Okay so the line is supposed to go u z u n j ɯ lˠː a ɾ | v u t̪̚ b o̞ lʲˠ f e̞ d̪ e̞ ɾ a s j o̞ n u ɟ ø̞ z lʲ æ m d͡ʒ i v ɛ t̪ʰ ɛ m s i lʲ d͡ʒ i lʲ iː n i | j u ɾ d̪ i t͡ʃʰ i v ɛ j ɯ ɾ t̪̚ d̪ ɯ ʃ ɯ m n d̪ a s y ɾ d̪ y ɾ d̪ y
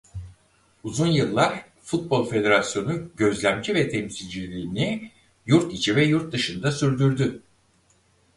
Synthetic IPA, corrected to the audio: u z u n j ɯ lˠː a ɾ | f u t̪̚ b o̞ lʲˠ f e̞ d̪ e̞ ɾ a s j o̞ n u ɟ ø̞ z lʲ æ m d͡ʒ i v ɛ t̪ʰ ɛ m s i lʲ d͡ʒ i lʲ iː n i | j u ɾ t̪ i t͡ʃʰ i v ɛ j u ɾ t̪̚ d̪ ɯ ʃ ɯ n d̪ a s y ɾ d̪ y ɾ d̪ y